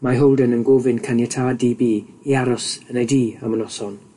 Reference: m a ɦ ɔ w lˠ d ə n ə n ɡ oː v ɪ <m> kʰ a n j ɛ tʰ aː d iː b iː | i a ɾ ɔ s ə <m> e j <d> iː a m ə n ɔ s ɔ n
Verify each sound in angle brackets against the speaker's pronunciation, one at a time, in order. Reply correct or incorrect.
incorrect: n, incorrect: n, correct

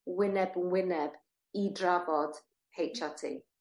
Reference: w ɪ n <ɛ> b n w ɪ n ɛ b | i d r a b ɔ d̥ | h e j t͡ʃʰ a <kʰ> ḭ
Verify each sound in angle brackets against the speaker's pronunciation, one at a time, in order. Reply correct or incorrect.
correct, incorrect: tʰ

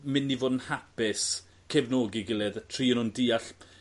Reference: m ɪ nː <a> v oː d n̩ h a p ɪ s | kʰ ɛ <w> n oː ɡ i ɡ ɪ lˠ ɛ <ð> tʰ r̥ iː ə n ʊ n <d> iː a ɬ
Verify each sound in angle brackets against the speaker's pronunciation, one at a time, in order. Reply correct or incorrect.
incorrect: i, incorrect: v, correct, correct

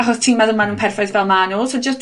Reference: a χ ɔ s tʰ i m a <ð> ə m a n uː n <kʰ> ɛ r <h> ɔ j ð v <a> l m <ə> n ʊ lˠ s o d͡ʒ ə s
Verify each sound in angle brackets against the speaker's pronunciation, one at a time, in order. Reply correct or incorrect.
correct, incorrect: pʰ, incorrect: f, incorrect: ɛ, incorrect: a

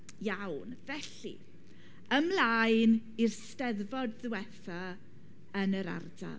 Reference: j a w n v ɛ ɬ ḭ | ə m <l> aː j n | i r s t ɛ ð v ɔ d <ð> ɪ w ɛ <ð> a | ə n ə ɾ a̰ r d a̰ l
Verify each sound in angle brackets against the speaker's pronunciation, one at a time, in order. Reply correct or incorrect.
correct, correct, incorrect: θ

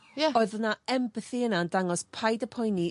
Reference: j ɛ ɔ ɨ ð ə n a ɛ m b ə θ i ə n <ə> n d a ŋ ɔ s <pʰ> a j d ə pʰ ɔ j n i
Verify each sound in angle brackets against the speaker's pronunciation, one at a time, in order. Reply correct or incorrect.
incorrect: a, correct

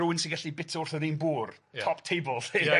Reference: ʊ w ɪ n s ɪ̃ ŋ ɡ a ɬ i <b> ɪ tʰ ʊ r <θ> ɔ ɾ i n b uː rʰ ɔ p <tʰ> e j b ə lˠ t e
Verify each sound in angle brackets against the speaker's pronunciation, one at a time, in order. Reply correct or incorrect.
correct, correct, correct

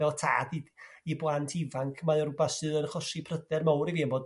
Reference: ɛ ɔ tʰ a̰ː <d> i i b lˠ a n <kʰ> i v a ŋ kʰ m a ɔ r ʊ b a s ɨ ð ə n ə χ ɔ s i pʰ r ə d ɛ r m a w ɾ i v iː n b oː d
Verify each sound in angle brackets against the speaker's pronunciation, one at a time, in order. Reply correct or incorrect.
correct, incorrect: tʰ

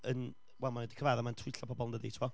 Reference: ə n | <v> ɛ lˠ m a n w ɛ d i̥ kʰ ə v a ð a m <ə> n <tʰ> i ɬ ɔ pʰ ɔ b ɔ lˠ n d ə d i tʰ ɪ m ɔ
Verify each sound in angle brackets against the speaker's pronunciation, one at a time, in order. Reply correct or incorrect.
incorrect: w, incorrect: a, correct

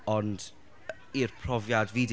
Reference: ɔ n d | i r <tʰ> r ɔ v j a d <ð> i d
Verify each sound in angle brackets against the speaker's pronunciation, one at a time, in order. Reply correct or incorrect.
incorrect: pʰ, incorrect: v

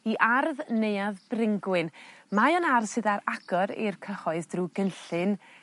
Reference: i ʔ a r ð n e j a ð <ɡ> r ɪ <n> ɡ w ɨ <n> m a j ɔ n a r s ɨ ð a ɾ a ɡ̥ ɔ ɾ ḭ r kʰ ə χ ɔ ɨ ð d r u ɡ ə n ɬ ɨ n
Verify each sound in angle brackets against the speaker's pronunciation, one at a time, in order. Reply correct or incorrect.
incorrect: b, incorrect: ŋ, correct

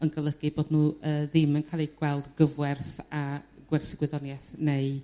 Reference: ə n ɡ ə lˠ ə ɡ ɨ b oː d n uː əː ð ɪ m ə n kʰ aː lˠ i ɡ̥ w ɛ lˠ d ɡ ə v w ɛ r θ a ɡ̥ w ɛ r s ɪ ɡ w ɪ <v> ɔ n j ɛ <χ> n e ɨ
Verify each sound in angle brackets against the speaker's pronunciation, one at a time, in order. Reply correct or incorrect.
incorrect: ð, incorrect: θ

